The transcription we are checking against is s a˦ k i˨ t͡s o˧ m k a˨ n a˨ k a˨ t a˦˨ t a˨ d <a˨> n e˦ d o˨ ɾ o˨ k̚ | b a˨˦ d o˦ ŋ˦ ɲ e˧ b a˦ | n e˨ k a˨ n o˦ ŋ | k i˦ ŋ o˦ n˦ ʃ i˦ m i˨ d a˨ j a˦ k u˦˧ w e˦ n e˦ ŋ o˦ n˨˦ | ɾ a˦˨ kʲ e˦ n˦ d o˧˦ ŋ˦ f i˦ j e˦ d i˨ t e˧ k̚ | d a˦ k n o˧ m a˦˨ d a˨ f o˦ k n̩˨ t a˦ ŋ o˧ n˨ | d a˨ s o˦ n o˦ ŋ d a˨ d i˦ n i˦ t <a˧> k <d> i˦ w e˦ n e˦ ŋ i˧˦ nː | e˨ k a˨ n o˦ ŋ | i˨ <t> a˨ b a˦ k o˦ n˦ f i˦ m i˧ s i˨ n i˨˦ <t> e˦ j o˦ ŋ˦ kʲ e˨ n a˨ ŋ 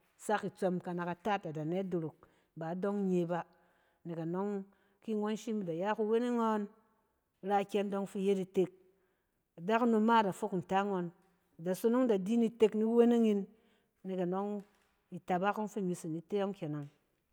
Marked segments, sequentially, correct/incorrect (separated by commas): correct, incorrect, incorrect, correct, correct